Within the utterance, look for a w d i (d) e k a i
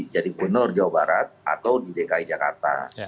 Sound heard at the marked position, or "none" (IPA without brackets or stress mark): d